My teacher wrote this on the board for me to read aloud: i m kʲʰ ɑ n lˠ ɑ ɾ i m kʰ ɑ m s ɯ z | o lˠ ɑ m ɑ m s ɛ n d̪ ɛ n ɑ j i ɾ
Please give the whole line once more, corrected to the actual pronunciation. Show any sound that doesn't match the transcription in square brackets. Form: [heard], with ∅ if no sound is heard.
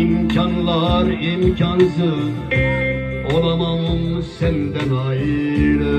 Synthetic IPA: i m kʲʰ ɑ n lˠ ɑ ɾ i m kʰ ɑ [n] s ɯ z | o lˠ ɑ m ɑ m s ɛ n d̪ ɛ n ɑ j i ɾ